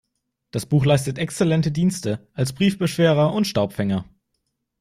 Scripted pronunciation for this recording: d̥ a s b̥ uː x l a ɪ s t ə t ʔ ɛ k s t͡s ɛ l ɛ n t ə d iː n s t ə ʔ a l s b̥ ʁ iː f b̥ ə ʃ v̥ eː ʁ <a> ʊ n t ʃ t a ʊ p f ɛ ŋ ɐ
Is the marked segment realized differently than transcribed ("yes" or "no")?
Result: yes